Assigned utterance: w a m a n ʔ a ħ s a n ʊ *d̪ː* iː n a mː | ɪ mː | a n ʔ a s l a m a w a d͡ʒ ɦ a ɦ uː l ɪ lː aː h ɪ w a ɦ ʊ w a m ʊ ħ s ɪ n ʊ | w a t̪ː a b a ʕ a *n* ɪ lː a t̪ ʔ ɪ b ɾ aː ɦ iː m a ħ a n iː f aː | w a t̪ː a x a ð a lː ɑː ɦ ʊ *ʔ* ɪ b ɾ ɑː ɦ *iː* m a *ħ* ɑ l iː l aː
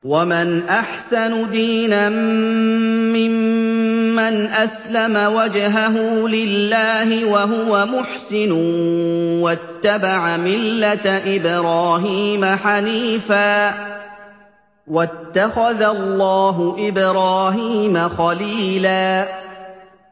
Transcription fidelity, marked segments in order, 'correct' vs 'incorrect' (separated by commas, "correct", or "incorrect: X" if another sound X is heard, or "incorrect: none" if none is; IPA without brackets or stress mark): incorrect: d̪, incorrect: m, correct, correct, incorrect: x